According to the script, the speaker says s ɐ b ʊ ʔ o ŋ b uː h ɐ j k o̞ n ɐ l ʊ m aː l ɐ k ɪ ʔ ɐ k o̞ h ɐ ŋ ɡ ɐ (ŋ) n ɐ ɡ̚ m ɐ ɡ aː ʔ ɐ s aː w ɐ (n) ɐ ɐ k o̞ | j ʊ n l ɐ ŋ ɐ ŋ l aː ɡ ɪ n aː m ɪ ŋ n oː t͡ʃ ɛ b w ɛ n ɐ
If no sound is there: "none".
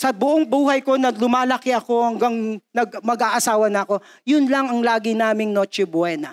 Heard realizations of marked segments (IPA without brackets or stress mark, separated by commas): ŋ, n